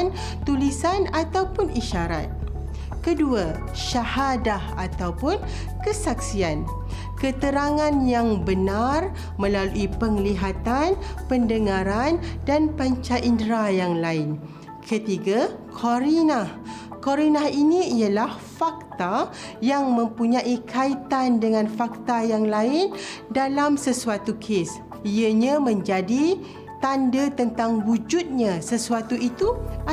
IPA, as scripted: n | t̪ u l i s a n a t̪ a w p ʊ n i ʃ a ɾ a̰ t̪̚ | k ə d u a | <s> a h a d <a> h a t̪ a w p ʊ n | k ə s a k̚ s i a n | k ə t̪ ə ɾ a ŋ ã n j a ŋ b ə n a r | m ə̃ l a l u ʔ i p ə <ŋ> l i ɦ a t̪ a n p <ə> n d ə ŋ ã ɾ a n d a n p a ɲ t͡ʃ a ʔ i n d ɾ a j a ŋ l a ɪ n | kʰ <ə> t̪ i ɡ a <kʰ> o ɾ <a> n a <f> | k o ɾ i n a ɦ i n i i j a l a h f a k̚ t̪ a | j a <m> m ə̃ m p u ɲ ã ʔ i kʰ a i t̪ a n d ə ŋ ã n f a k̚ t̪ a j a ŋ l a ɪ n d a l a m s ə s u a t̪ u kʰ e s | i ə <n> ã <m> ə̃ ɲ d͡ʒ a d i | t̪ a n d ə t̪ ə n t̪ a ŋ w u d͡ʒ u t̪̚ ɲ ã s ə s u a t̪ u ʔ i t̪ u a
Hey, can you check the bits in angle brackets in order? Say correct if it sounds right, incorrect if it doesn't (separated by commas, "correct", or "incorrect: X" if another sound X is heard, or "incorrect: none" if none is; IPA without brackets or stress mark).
incorrect: ʃ, correct, correct, correct, correct, correct, incorrect: i, incorrect: h, incorrect: ŋ, incorrect: ɲ, correct